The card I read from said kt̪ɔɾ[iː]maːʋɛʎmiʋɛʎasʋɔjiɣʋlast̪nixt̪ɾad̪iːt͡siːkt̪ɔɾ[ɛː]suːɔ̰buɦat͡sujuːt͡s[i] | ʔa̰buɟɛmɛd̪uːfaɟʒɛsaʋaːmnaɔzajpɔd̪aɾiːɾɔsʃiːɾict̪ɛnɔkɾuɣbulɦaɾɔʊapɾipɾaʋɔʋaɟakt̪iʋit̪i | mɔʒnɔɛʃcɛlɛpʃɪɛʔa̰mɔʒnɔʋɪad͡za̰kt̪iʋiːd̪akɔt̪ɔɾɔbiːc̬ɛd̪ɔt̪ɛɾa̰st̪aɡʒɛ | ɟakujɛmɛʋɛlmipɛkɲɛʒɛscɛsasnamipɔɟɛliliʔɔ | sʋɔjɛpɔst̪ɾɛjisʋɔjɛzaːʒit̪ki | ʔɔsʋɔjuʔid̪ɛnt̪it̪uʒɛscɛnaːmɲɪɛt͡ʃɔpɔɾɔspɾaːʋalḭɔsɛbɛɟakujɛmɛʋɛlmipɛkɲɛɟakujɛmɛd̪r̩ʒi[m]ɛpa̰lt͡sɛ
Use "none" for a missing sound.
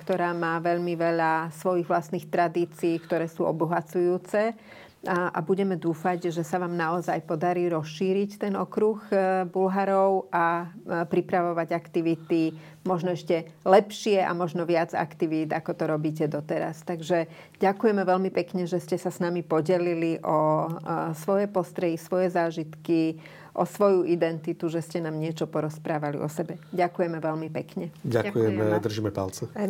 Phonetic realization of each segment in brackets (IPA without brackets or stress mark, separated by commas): aː, ɛː, ɛ, m